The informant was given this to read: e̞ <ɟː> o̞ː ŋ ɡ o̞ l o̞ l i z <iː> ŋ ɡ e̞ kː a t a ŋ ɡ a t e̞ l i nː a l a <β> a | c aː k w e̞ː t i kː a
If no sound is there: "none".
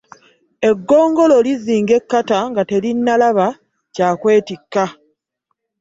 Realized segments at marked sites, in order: ɡː, iː, β

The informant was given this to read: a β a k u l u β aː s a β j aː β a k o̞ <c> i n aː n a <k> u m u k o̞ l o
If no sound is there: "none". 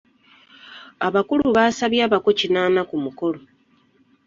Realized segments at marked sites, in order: c, k

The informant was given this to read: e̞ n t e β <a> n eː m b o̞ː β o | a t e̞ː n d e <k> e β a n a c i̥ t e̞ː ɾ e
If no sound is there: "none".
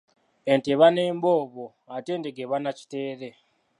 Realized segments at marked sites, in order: a, ɡ

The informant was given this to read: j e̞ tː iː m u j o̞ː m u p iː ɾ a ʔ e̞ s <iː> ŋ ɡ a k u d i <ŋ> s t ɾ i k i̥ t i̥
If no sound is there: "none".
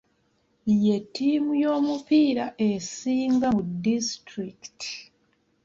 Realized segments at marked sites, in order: iː, none

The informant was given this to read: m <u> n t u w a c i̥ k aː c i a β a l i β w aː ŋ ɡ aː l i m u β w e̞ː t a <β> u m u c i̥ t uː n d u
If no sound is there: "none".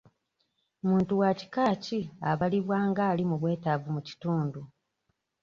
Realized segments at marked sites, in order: uː, v

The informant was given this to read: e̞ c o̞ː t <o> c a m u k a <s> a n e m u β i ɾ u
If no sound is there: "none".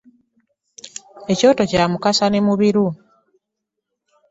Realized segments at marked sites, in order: o, s

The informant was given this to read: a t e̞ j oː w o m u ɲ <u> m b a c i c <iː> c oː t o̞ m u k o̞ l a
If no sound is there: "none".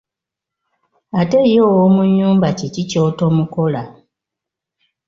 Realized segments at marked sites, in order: uː, i

